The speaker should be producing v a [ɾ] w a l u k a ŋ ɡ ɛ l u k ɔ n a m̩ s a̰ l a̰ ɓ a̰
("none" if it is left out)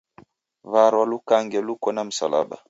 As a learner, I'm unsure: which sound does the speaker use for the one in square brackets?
ɾ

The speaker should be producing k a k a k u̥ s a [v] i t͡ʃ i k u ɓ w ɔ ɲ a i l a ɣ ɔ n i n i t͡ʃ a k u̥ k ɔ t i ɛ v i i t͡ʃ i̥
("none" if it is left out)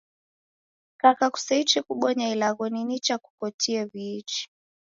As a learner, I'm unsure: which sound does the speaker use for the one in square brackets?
none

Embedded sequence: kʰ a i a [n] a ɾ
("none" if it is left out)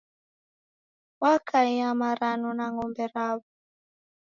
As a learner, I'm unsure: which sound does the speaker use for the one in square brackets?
m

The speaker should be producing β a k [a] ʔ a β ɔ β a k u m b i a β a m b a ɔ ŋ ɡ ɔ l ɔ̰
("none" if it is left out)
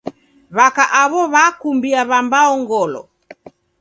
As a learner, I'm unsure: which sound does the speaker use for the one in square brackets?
a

